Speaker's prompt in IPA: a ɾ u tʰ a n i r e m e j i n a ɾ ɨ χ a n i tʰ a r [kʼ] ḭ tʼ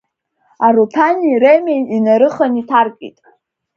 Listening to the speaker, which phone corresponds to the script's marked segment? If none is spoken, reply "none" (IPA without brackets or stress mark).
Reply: kʼ